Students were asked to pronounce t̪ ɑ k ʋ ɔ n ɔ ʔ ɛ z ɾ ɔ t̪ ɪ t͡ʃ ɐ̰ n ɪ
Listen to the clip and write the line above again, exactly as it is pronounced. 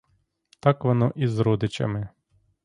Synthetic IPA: t̪ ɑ k ʋ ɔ n ɔ ʔ i z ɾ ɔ d̪ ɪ t͡ʃ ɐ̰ m ɪ